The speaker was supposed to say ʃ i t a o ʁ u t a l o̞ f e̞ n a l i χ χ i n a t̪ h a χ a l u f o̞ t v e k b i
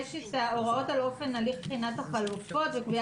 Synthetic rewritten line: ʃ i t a o ʁ o t a l o̞ f e̞ n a l i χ χ i n a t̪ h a χ a l u f o̞ t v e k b i